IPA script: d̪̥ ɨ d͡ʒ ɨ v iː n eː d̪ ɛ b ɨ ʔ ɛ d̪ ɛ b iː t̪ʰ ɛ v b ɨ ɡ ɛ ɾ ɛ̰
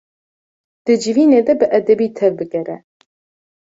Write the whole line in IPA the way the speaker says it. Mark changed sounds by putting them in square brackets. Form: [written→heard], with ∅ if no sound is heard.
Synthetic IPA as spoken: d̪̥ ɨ d͡ʒ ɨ v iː n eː d̪ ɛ b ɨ ʔ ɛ d̪ ɛ b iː t̪ʰ ɛ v b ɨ ɡ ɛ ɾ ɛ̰